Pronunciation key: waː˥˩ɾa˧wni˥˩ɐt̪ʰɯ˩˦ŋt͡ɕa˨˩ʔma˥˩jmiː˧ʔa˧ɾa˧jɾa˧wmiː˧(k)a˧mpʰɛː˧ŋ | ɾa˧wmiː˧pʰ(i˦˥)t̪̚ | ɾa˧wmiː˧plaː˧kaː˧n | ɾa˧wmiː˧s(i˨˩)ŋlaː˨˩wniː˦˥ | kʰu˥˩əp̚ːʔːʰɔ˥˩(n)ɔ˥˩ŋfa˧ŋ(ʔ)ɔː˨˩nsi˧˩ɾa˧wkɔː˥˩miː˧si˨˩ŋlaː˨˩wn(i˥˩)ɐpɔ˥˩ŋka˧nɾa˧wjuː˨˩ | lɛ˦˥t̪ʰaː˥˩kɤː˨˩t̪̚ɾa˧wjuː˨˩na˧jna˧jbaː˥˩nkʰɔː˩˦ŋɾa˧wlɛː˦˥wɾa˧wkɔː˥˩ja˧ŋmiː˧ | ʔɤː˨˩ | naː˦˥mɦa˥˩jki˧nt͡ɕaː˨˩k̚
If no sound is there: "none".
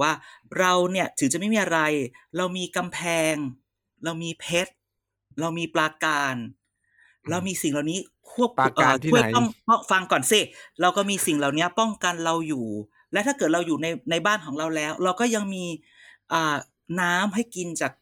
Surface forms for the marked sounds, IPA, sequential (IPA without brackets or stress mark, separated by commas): k, e˦˥, i˨˩, ŋ, k, i˦˥